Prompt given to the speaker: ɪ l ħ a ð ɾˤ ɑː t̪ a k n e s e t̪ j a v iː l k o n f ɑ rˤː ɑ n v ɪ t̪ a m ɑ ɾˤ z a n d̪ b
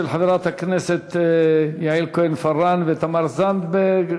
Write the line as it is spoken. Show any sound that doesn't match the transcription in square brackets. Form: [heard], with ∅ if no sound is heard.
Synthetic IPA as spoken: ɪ l ħ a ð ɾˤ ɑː t̪ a k n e s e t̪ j a [ʕ] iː l k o n f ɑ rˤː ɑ n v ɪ t̪ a m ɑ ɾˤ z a n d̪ b